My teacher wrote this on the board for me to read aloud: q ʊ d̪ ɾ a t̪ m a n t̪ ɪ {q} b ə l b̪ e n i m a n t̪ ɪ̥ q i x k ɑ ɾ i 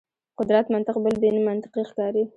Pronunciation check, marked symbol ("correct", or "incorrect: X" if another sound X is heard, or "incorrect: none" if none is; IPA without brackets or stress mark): correct